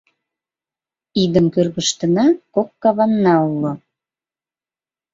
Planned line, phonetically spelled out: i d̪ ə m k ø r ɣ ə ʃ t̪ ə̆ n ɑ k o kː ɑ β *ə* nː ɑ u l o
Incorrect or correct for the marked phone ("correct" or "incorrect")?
incorrect